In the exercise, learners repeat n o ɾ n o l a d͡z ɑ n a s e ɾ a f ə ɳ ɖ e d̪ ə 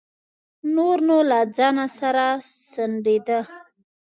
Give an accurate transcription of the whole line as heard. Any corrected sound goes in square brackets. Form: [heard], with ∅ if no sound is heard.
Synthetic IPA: n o ɾ n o l a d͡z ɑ n a s [a] ɾ a [s] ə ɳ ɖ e d̪ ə